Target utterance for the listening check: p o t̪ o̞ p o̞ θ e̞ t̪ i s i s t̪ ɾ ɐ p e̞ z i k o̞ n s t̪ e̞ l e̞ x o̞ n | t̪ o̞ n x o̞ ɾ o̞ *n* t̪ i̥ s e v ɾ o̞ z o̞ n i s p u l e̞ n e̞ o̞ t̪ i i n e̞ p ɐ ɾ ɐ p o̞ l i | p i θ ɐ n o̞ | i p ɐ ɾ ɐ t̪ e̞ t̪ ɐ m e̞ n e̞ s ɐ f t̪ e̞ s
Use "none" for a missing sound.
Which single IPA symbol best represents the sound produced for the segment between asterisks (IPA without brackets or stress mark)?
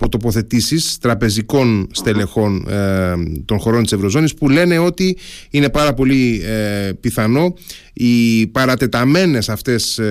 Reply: n